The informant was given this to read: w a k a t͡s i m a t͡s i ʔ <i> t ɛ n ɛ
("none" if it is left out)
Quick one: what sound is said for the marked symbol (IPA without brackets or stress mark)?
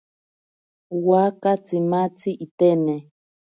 i